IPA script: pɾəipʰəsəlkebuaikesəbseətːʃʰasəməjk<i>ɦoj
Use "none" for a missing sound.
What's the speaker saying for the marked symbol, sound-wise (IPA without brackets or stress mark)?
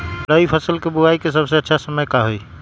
a